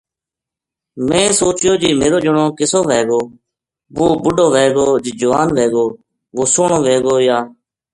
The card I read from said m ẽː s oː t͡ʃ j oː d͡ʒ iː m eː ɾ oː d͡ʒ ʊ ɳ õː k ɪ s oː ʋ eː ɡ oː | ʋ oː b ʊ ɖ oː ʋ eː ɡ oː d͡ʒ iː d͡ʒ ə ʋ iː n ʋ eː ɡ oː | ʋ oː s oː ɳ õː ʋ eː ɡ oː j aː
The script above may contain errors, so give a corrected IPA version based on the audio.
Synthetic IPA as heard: m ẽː s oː t͡ʃ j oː d͡ʒ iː m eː ɾ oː d͡ʒ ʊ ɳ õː k ɪ s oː ʋ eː ɡ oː | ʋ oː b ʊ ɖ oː ʋ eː ɡ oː d͡ʒ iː d͡ʒ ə ʋ aː n ʋ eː ɡ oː | ʋ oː s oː ɳ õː ʋ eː ɡ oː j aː

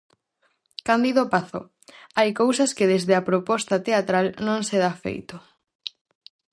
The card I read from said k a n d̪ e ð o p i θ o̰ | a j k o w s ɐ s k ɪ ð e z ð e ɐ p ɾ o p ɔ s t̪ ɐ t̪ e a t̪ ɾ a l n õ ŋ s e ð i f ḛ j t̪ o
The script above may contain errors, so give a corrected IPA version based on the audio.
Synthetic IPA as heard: k a n d̪ i ð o p a θ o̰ | a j k o w s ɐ s k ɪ ð e z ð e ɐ p ɾ o p ɔ s t̪ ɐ t̪ e a t̪ ɾ a l n õ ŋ s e ð a f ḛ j t̪ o

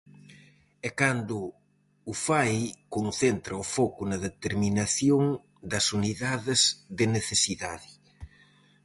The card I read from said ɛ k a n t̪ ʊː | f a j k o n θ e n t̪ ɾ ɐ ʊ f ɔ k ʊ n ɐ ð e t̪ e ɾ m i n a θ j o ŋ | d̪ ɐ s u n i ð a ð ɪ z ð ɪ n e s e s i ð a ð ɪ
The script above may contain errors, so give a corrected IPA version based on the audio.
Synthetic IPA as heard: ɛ k a n d̪ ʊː | f a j k o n θ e n t̪ ɾ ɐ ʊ f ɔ k ʊ n ɐ ð e t̪ e ɾ m i n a θ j o ŋ | d̪ ɐ s u n i ð a ð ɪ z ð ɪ n e θ e s i ð a ð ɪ

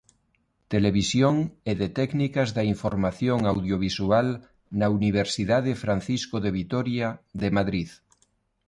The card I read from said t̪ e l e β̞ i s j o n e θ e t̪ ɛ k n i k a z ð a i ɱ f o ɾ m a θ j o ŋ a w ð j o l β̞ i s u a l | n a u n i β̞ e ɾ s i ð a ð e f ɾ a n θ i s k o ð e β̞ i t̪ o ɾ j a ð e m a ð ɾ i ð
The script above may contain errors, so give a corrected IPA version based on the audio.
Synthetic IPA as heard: t̪ e l e β̞ i s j o ŋ e ð e t̪ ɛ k n i k a z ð a i ɱ f o ɾ m a θ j o ŋ a w ð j o β̞ i s u a l | n a u n i β̞ e ɾ s i ð a ð e f ɾ a n θ i s k o ð e β̞ i t̪ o ɾ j a ð e m a ð ɾ i ð

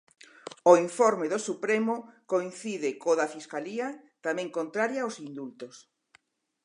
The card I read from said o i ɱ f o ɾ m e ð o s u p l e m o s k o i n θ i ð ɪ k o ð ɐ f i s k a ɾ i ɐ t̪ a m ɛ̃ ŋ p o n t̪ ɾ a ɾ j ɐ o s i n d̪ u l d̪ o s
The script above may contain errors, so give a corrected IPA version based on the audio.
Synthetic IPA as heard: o i ɱ f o ɾ m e ð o s u p ɾ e m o k o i n θ i ð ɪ k o ð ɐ f i s k a l i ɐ t̪ a m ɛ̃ ŋ k o n t̪ ɾ a ɾ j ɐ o s i n d̪ u l t̪ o s

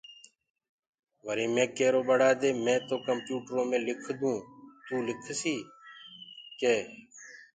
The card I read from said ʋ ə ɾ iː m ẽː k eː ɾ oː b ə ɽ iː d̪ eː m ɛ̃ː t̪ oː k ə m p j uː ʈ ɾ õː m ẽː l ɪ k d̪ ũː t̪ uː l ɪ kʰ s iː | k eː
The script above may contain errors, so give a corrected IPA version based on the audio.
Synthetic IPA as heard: ʋ ə ɾ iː m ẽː k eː ɾ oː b ə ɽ aː d̪ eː m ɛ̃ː t̪ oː k ə m p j uː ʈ ɾ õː m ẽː l ɪ kʰ d̪ ũː t̪ uː l ɪ kʰ s iː | k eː

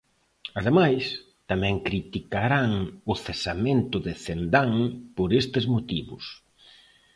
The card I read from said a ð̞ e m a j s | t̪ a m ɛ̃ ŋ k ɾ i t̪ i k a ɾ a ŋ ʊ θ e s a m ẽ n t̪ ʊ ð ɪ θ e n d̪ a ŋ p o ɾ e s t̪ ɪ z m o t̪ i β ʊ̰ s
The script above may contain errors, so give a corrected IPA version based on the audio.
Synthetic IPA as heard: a ð̞ e m a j s | t̪ a m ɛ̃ ŋ k ɾ i t̪ i k a ɾ a ŋ ʊ θ e s a m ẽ n t̪ ʊ ð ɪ θ e n d̪ a ŋ p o ɾ e s t̪ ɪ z m o t̪ i β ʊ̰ s

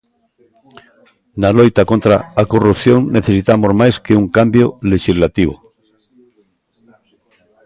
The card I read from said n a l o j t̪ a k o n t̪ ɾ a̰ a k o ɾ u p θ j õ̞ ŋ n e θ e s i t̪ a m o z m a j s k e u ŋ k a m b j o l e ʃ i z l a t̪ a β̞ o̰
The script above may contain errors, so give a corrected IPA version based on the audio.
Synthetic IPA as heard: n a l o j t̪ a k o n t̪ ɾ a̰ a k o r u p θ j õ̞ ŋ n e θ e s i t̪ a m o z m a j s k e u ŋ k a m b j o l e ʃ i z l a t̪ i β̞ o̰

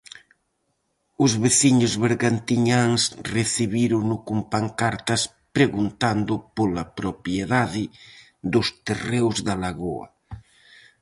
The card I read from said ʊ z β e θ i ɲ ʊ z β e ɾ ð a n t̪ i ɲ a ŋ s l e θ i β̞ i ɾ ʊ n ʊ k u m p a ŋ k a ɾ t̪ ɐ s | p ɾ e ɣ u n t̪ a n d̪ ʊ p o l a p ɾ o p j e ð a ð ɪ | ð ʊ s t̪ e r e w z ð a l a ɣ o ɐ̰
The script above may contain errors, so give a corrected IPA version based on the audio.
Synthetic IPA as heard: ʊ z β e θ i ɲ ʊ z β e ɾ ɣ a n t̪ i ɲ a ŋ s r e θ i β̞ i ɾ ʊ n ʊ k u m p a ŋ k a ɾ t̪ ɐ s | p ɾ e ɣ u n t̪ a n d̪ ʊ p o l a p ɾ o p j e ð a ð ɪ | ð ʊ s t̪ e r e w z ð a l a ɣ o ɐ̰

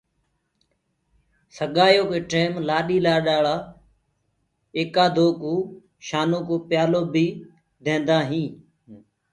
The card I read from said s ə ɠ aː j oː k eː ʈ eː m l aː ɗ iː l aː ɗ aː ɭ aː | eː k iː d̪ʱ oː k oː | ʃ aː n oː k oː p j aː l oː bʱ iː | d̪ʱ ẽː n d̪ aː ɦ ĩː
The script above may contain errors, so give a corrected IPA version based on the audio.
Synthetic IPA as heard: s ə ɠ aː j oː k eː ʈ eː m l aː ɗ iː l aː ɗ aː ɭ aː | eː k aː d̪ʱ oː k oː | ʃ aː n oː k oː p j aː l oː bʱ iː | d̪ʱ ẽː n d̪ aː ɦ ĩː

